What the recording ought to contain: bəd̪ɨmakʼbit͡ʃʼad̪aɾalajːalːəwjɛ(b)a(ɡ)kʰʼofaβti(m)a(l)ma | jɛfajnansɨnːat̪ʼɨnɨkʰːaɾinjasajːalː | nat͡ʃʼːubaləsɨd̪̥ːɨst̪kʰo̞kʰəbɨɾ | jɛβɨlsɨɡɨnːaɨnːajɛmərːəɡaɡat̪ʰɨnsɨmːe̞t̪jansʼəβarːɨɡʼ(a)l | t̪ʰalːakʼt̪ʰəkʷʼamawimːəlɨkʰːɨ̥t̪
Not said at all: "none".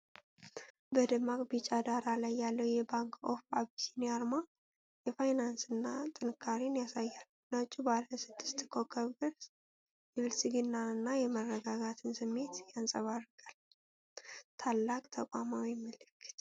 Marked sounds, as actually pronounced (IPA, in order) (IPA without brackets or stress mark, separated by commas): b, ŋ, n, ɾ, a